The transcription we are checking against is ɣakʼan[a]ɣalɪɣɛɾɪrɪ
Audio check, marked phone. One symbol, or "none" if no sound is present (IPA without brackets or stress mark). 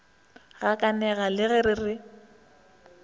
ɛ